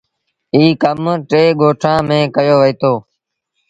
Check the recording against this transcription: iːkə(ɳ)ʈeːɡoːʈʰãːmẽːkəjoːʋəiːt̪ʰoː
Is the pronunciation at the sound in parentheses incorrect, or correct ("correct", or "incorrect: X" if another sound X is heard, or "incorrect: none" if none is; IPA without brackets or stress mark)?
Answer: incorrect: m